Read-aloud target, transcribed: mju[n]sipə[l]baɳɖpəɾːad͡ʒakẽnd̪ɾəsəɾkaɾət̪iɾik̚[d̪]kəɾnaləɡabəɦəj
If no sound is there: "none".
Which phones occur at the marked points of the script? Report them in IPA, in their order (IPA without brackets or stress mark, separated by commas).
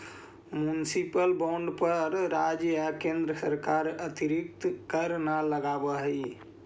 n, l, t̪